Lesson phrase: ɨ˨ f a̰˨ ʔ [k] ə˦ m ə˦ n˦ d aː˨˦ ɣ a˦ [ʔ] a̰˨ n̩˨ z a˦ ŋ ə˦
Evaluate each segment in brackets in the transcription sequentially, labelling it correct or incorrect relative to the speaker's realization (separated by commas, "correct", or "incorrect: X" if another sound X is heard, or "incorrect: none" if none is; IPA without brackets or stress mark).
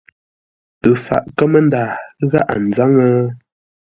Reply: correct, correct